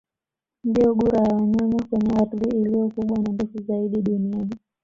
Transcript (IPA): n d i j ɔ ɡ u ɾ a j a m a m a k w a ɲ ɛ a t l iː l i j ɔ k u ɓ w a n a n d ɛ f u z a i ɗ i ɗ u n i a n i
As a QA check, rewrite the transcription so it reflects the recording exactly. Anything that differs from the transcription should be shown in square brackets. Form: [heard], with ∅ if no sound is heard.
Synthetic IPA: n d i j ɔ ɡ u ɾ a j a [ɲ] a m a k w [ɛ] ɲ ɛ a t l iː l i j ɔ k u ɓ w a n a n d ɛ f u z a i ɗ i ɗ u n i a n i